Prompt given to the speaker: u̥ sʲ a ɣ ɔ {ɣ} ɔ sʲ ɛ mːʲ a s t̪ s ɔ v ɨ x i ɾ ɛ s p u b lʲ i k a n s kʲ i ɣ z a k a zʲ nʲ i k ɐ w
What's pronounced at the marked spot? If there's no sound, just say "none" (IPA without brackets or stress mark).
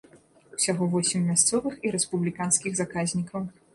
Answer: v